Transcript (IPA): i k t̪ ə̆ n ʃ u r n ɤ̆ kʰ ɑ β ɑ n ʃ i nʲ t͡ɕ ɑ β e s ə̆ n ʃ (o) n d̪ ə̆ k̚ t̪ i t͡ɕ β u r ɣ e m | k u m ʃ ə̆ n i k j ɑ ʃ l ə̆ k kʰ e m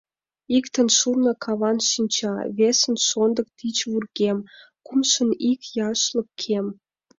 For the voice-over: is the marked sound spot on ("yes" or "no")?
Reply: yes